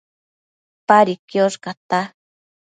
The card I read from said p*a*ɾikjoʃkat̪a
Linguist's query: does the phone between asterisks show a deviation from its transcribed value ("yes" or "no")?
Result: no